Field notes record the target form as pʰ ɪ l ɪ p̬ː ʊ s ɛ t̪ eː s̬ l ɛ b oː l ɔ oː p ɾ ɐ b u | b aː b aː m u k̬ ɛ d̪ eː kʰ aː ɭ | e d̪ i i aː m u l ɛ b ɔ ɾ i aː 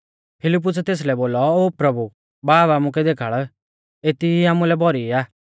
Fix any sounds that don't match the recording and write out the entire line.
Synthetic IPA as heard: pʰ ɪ l ɪ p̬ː ʊ s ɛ t̪ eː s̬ l ɛ b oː l ɔ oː p ɾ ɐ b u | b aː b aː m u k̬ ɛ d̪ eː kʰ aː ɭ | e t̪ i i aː m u l ɛ b ɔ ɾ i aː